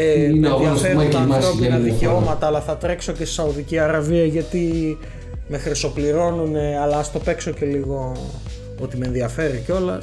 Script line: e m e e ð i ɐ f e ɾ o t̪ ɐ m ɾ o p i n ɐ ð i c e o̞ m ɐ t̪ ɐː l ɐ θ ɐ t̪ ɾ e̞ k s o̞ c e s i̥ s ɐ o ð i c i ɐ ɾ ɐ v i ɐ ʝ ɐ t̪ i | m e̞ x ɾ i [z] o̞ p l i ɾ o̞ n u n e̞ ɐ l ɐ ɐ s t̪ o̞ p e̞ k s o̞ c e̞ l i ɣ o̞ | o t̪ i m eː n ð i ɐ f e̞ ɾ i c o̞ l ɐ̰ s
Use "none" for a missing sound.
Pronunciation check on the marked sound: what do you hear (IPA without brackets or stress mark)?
s